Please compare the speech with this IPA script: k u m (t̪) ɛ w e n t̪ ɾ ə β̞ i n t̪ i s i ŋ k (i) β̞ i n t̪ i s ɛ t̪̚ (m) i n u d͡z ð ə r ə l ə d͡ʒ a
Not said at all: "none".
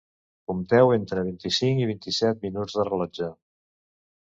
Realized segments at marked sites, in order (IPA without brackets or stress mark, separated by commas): t̪, i, m